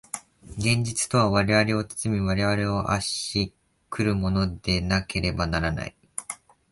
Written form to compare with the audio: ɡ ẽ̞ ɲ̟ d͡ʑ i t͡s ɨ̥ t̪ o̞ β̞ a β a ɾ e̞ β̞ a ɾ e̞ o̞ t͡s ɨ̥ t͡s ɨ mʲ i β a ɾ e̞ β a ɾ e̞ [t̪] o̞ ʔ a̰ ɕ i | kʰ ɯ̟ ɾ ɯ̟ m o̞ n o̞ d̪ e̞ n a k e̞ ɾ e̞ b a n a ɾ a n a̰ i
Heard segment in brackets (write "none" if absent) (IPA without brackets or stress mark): none